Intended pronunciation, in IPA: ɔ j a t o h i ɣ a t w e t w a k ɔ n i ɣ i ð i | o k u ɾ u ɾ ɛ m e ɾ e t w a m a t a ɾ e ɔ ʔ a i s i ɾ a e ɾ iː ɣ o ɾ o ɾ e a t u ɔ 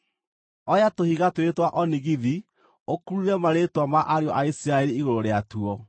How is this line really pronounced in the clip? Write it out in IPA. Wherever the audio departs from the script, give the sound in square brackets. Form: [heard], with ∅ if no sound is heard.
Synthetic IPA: ɔ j a t o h i ɣ a t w e t w a [ʔ] ɔ n i ɣ i ð i | o k u ɾ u ɾ ɛ m [a] ɾ e t w a m a [ʔ] a ɾ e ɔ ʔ a i s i ɾ a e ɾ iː ɣ o ɾ o ɾ e a t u ɔ